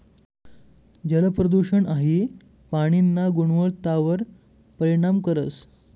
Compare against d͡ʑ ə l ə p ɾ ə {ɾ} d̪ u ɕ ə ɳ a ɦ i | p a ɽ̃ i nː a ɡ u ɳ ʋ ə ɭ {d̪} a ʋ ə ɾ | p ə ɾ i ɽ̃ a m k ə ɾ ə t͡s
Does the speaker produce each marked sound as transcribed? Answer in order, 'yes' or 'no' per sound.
no, no

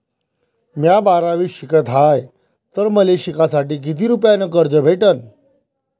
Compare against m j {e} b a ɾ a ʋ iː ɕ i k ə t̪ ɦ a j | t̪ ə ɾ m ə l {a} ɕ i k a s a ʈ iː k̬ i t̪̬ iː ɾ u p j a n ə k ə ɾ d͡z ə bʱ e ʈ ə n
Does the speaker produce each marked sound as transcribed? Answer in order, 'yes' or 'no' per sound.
no, no

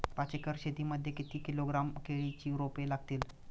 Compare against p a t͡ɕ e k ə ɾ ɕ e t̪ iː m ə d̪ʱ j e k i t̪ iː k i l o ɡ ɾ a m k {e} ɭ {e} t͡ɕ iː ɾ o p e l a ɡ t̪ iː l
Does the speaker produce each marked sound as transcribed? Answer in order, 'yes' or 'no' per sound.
yes, no

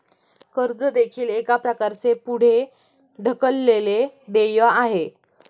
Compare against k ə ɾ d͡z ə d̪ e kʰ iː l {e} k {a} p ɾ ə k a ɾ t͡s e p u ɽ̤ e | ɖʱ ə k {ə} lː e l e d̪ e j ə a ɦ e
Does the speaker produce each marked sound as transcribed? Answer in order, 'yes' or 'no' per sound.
yes, yes, yes

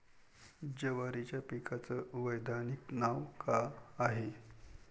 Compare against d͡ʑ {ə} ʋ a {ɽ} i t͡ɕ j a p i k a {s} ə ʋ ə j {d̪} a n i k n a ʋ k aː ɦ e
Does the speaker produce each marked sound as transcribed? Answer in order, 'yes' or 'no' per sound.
yes, no, no, yes

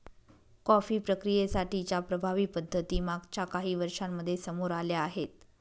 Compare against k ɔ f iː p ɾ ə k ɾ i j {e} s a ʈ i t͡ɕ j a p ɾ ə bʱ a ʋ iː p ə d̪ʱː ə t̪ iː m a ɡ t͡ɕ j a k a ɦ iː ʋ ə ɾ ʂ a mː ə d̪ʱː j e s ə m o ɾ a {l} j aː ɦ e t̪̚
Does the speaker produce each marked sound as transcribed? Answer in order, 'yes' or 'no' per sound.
yes, yes

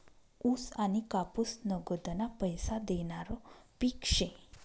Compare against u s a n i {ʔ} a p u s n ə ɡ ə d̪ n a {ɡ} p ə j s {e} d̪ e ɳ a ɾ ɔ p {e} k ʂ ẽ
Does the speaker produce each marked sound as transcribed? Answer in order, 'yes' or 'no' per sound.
no, no, no, no

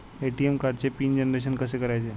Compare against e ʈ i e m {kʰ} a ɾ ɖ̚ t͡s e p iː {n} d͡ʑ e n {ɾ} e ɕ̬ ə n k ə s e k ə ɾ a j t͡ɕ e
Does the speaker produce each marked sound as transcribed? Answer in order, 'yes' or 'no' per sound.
no, yes, yes

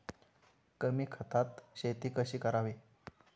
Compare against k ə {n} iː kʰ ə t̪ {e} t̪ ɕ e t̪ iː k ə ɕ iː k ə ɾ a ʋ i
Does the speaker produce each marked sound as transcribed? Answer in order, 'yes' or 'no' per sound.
no, no

